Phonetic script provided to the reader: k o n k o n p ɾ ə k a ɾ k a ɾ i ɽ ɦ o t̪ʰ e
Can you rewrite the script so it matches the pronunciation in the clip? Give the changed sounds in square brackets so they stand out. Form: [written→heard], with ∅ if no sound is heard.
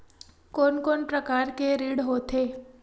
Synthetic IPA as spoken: k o n k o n p ɾ ə k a ɾ k [a→e] ɾ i ɽ ɦ o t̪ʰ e